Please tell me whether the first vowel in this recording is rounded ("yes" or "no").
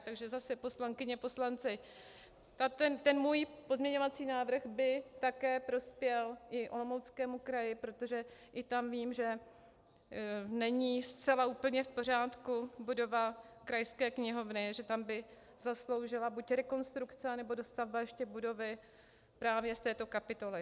no